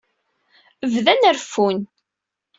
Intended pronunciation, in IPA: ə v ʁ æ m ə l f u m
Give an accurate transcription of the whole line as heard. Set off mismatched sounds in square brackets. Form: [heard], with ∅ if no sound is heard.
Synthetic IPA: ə v [ð] æ [n] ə [ɾ] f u [n]

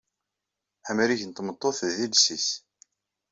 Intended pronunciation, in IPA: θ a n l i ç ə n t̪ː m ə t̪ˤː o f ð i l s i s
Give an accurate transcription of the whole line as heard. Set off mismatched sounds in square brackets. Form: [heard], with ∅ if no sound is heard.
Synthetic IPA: [ħ] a [m] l i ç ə n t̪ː m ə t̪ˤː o [θ] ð i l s i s

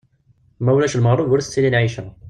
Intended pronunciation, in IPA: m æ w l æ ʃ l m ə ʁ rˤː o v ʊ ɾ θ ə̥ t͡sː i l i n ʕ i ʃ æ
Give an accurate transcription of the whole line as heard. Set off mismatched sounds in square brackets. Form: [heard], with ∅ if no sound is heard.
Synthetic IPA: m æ w l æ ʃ l m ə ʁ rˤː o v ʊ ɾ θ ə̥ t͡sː i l i n ʕ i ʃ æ

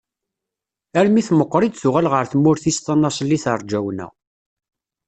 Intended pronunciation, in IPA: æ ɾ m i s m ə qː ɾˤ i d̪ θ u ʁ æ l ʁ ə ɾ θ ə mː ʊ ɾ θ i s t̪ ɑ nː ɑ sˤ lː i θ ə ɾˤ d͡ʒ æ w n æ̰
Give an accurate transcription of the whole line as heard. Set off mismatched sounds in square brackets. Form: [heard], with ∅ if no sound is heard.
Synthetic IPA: æ ɾ m i [θ] m ə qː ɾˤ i d̪ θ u ʁ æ l ʁ ə ɾ θ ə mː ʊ ɾ θ i s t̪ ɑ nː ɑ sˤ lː i θ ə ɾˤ d͡ʒ æ w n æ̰

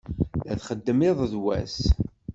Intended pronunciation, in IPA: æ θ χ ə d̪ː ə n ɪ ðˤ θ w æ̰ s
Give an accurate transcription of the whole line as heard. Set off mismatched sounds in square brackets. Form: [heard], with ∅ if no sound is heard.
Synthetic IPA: æ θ χ ə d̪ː ə [m] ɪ ðˤ [ð] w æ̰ s

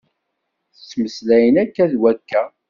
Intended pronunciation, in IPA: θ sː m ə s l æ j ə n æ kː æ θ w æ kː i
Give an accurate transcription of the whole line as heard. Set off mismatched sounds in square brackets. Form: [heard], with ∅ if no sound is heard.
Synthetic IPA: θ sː m ə s l æ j ə n æ kː æ [ð] w æ kː [æ]

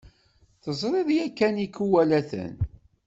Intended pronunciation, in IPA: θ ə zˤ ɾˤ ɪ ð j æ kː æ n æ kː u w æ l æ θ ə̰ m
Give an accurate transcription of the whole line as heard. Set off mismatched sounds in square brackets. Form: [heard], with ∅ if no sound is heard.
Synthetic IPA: θ ə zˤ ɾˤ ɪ ð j æ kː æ n [i] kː u w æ l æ θ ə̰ [n]

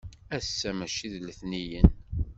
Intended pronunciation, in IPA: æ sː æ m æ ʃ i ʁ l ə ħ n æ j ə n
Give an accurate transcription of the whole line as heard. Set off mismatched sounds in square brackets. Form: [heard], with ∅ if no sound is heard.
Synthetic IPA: æ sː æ m æ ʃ i [ð] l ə [θ] n [i] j ə n

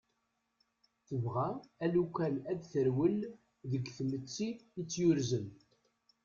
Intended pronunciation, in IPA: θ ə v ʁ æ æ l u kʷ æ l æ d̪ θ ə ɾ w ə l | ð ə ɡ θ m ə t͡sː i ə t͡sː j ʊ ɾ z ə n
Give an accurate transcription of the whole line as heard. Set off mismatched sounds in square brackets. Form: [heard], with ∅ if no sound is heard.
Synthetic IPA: θ ə v ʁ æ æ l u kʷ æ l æ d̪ θ ə ɾ w ə l | ð ə ɡ θ m ə t͡sː i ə t͡sː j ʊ ɾ z ə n

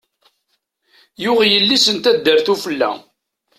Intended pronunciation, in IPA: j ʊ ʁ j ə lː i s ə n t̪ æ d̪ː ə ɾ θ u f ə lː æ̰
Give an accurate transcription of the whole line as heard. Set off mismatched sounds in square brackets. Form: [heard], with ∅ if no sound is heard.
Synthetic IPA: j ʊ ʁ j ə lː i s ə n t̪ æ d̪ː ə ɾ θ u f ə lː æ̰

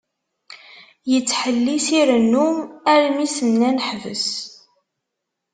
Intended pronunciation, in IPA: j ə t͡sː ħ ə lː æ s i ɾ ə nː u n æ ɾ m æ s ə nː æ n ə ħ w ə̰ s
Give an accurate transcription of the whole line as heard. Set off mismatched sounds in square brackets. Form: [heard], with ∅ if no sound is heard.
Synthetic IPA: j ə t͡sː ħ ə lː [i] s i ɾ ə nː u [m] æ ɾ m [i] s ə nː æ n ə ħ [v] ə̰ s

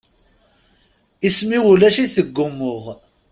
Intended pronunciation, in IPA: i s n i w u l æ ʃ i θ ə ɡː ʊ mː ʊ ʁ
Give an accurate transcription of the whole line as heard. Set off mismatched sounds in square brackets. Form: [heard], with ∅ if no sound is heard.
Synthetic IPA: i s [m] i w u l æ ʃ i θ ə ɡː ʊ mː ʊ ʁ

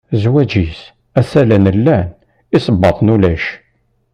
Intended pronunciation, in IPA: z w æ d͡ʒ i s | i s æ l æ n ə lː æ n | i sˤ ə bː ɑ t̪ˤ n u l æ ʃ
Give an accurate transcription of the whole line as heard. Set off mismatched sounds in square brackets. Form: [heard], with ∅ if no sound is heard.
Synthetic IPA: z w æ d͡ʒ i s | [æ] s æ l æ n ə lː æ n | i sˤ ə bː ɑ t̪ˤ n u l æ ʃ

